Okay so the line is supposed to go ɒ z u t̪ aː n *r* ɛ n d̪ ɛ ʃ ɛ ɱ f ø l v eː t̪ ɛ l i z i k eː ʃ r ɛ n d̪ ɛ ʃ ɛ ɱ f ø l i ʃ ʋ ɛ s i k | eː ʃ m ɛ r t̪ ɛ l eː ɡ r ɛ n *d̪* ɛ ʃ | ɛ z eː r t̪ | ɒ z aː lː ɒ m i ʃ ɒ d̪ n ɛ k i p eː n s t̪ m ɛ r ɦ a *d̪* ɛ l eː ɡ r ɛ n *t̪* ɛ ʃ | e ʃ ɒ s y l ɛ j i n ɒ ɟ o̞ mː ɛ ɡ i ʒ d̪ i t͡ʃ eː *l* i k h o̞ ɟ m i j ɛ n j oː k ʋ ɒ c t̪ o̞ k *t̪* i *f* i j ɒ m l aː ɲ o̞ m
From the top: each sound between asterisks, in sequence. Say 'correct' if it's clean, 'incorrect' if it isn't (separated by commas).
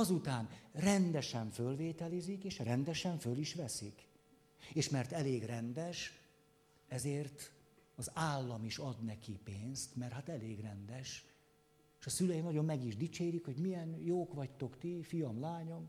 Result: correct, correct, incorrect, incorrect, incorrect, correct, correct